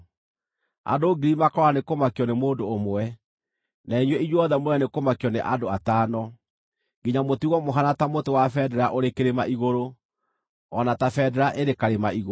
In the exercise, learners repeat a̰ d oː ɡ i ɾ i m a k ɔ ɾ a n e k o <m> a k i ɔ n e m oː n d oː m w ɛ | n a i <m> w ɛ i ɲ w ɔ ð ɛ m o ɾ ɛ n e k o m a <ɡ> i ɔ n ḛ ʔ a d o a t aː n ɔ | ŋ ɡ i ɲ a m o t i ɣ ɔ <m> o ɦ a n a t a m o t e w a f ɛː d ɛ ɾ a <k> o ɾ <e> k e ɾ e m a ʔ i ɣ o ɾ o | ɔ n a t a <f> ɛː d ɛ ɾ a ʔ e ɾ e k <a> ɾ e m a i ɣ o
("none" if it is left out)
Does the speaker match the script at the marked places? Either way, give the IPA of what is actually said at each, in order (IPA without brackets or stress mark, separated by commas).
m, ɲ, k, m, ʔ, e, f, a